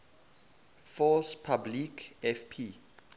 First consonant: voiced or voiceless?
voiceless